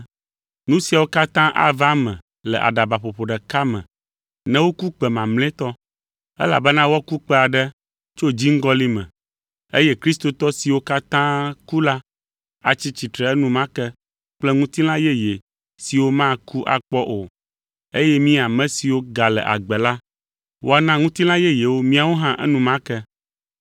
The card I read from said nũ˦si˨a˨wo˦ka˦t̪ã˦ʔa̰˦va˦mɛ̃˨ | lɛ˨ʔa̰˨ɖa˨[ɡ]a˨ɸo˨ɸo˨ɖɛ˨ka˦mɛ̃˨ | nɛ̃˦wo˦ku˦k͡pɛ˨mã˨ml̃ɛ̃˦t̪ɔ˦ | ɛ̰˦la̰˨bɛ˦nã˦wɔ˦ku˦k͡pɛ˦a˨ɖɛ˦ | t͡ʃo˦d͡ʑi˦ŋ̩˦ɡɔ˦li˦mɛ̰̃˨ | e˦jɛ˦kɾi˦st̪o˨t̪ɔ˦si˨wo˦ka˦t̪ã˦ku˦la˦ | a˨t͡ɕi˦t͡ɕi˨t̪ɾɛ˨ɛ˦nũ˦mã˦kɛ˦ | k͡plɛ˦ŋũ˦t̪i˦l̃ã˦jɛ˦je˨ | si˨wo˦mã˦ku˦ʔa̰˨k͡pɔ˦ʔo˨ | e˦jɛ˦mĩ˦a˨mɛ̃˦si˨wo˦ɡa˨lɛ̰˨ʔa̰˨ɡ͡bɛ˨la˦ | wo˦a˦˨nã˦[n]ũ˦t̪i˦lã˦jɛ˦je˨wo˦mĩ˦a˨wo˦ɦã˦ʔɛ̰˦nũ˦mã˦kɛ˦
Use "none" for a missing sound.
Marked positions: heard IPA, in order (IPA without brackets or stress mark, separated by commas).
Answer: b, ŋ